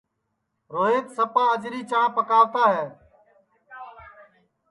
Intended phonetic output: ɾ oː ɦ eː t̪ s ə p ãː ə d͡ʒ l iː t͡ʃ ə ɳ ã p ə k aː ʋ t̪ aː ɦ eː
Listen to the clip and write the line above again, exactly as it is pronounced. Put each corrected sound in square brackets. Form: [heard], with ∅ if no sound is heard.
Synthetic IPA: ɾ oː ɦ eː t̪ s ə p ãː ə d͡ʒ [ɾ] iː t͡ʃ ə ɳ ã p ə k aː ʋ t̪ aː ɦ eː